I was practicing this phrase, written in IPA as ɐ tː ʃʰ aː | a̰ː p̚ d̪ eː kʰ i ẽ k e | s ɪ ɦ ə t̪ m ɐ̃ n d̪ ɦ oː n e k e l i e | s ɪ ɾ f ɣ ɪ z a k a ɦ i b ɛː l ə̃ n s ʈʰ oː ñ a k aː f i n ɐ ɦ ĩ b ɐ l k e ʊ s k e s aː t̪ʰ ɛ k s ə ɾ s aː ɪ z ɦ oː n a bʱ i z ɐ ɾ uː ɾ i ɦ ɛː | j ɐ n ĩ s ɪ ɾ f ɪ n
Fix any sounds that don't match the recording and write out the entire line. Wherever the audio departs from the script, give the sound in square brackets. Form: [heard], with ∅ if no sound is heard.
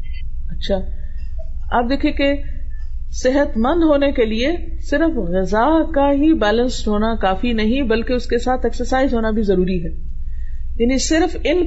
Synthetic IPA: ɐ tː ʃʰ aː | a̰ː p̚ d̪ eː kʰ i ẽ k e | s ɪ ɦ ə t̪ m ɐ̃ n d̪ ɦ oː n e k e l i e | s ɪ ɾ f ɣ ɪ z a k a ɦ i b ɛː l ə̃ n s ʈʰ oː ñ a k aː f i n ɐ ɦ ĩ b ɐ l k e ʊ s k e s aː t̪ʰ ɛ k s ə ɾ s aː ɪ z ɦ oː n a bʱ i z ɐ ɾ uː ɾ i ɦ ɛː | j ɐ n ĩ s ɪ ɾ f ɪ n